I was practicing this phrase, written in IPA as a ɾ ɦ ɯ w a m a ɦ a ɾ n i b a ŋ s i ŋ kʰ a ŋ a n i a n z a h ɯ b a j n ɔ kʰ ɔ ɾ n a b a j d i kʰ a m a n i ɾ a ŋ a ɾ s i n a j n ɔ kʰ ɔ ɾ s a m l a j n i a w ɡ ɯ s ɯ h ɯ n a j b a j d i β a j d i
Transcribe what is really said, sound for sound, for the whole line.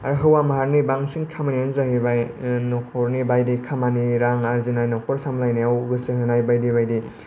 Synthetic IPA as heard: a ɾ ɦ ɯ w a m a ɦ a ɾ n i b a ŋ s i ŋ kʰ a m a n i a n z a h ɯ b a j n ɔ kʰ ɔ ɾ n i b a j d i kʰ a m a n i ɾ a ŋ a ɾ z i n a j n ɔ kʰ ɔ ɾ s a m l a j n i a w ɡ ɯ s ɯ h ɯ n a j b a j d i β a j d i